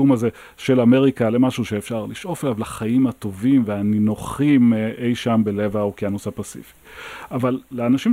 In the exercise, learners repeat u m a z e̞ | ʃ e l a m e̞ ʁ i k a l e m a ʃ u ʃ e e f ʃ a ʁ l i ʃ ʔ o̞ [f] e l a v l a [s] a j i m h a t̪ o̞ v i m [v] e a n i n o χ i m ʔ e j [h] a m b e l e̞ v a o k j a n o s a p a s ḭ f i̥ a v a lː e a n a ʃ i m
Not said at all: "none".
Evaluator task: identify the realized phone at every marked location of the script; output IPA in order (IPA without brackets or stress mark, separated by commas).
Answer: f, χ, v, ʃ